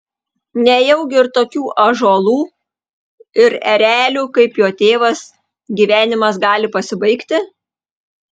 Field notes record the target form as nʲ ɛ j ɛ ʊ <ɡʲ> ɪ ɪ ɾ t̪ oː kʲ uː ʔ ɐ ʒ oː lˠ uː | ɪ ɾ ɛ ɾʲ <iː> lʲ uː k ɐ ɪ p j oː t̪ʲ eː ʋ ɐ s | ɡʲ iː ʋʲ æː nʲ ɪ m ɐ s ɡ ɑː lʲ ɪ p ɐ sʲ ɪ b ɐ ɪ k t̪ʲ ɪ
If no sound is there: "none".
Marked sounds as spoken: ɡʲ, æː

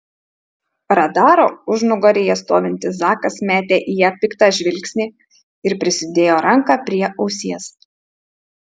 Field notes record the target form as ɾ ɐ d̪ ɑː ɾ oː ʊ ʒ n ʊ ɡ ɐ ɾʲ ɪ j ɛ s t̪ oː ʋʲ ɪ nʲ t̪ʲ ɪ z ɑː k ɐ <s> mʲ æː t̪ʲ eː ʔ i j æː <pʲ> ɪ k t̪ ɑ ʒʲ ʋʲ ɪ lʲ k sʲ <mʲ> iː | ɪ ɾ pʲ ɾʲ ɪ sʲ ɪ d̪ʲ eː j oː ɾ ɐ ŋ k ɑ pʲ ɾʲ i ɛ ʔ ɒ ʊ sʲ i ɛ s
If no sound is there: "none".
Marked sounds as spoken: s, pʲ, nʲ

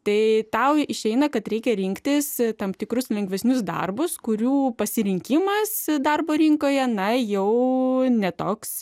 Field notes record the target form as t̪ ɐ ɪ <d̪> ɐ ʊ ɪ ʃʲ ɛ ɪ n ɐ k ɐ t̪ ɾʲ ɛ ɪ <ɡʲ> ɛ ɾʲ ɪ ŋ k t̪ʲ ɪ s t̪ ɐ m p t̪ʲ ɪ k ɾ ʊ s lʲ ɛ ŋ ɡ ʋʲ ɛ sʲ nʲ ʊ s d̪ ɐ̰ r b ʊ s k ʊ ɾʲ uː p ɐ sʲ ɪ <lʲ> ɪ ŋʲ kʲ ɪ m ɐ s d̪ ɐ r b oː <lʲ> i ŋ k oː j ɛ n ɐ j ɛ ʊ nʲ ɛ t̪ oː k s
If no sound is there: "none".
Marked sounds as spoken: t̪, kʲ, ɾʲ, ɾʲ

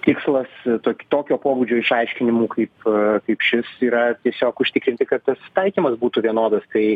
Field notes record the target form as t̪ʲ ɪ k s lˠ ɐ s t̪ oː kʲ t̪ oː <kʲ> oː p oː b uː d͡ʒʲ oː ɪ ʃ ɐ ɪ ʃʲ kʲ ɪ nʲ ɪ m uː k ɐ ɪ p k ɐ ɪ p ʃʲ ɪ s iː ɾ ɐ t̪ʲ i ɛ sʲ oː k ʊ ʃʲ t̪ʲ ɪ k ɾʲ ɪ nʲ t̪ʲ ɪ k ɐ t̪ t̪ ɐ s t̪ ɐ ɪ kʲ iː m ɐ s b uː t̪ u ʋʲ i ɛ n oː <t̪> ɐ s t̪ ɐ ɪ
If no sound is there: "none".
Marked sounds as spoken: kʲ, d̪

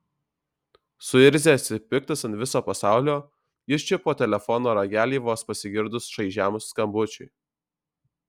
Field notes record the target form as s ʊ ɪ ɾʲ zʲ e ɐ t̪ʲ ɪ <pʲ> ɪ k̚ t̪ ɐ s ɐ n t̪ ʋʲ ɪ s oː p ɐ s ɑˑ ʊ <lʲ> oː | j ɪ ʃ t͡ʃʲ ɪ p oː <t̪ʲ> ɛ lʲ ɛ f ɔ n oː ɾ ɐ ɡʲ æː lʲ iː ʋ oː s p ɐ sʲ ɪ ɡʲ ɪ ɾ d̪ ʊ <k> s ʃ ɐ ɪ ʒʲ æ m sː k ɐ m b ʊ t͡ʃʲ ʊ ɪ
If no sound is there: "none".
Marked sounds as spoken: pʲ, lʲ, t̪ʲ, none

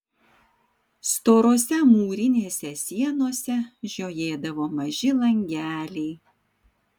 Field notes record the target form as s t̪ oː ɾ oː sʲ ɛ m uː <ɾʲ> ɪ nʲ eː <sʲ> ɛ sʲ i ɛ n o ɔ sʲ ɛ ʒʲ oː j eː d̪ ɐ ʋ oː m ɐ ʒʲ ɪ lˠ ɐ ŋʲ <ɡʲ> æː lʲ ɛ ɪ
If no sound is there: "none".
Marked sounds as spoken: ɾʲ, sʲ, ɡʲ

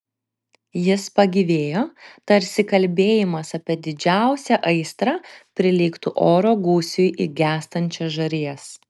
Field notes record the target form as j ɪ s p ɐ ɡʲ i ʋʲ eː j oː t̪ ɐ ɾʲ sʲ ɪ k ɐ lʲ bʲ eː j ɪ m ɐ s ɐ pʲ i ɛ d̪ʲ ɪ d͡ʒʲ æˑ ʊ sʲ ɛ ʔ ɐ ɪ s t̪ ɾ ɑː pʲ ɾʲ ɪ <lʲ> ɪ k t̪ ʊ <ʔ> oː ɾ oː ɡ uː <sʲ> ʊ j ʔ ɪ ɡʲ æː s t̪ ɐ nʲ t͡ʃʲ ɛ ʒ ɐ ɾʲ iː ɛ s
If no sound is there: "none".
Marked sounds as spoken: lʲ, ʔ, sʲ

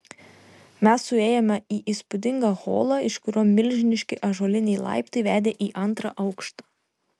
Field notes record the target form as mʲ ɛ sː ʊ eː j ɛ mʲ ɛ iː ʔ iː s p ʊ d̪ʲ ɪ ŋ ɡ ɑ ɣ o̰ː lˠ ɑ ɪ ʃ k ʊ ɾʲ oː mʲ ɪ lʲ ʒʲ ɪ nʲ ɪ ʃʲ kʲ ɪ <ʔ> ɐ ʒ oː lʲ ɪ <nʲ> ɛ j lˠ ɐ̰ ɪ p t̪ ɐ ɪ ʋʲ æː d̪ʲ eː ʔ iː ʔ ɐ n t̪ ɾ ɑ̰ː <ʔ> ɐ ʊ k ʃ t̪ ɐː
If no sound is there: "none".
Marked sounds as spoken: ʔ, nʲ, ʔ

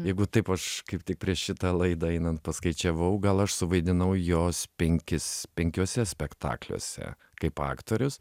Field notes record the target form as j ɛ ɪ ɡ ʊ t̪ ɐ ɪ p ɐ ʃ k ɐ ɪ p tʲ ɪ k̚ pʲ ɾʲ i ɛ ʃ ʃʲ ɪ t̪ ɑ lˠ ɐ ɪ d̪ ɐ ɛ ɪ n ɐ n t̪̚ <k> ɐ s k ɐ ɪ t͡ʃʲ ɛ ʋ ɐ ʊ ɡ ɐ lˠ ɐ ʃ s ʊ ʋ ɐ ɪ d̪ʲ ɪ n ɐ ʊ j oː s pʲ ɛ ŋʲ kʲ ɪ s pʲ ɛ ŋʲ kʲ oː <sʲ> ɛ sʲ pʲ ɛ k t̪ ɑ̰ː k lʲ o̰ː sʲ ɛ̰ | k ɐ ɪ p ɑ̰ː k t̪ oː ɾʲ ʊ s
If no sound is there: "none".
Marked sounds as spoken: p, sʲ

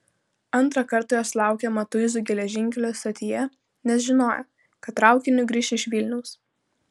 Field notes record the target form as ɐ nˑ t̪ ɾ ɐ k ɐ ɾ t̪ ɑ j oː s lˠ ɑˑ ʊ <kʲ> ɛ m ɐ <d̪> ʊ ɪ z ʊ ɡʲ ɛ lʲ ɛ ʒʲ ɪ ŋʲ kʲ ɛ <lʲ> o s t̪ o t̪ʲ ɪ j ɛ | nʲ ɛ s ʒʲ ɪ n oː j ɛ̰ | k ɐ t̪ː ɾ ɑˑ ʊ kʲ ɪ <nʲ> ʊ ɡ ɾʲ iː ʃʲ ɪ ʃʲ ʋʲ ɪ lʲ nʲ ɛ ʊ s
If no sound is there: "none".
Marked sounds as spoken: kʲ, t̪, lʲ, nʲ

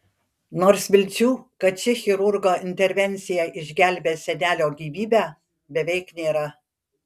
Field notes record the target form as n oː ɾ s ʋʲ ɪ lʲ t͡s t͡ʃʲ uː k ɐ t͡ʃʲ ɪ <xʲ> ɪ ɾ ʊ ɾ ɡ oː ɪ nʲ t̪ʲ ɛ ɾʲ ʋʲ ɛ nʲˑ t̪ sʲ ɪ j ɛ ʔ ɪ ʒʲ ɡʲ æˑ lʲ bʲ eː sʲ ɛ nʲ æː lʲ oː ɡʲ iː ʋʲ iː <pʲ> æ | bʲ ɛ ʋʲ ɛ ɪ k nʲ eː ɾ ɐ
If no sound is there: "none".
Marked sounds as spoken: xʲ, bʲ

